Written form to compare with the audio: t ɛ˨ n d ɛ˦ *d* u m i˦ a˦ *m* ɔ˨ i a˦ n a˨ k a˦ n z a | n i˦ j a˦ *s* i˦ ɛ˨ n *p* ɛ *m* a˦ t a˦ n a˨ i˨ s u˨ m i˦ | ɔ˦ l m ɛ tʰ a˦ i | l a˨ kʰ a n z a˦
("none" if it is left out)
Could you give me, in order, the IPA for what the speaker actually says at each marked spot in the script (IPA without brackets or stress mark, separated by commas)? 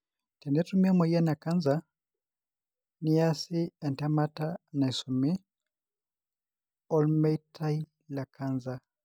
t, m, s, t, m